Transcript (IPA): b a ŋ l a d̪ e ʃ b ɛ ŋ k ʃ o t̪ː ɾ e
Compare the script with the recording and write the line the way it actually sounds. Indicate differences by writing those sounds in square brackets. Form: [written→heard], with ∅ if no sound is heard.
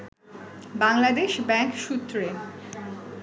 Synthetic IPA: b a ŋ l a d̪ e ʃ b ɛ ŋ k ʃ [o→u] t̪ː ɾ e